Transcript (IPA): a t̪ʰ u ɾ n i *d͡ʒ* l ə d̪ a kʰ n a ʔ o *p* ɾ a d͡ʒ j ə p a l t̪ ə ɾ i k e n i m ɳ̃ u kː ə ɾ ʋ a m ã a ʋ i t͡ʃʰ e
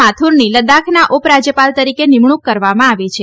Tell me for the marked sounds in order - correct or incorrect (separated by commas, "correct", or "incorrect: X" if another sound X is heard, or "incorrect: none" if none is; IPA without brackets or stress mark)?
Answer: incorrect: none, correct